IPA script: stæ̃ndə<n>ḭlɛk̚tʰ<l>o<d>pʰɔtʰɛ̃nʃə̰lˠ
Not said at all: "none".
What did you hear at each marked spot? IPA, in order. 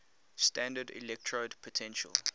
d, ɹ, d

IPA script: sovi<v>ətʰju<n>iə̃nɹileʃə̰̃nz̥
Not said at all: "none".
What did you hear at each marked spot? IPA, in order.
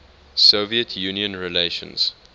none, n

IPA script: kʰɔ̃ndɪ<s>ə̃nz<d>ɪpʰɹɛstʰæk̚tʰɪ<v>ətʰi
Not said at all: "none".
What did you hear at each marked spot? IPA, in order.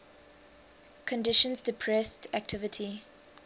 ʃ, d, v

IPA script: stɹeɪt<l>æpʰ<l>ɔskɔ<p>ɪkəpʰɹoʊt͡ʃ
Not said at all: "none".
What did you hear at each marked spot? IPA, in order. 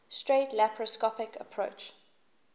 l, ɹ, p

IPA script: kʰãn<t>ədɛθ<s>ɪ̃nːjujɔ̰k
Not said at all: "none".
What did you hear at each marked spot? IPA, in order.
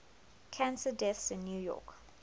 s, s

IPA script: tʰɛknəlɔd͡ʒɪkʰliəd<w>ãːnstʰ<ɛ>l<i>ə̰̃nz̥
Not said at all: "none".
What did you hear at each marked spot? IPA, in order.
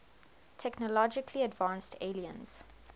v, e, i

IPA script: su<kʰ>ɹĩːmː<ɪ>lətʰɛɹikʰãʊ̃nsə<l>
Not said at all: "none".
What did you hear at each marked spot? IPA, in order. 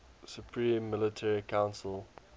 pʰ, ɪ, l

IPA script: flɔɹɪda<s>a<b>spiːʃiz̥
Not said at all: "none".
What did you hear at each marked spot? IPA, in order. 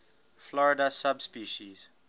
s, b

